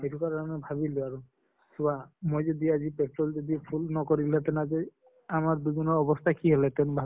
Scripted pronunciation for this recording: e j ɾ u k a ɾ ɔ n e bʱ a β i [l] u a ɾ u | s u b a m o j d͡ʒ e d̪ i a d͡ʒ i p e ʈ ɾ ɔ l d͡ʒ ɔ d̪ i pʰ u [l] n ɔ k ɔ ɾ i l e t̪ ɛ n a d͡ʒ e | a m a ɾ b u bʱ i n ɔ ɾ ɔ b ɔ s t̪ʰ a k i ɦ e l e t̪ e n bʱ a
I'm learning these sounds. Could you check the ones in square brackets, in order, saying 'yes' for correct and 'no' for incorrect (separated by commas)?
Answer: yes, yes